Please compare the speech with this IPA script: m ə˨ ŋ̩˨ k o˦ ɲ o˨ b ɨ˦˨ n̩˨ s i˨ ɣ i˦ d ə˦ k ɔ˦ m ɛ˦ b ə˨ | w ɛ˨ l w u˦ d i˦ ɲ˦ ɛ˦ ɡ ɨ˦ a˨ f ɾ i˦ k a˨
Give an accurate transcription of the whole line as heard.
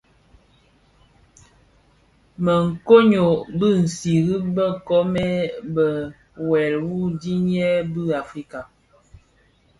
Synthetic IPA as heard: m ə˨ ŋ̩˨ k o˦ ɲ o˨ b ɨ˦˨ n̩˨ s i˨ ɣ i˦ b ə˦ k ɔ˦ m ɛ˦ b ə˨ | w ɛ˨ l w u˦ d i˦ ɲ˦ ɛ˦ b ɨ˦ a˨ f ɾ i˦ k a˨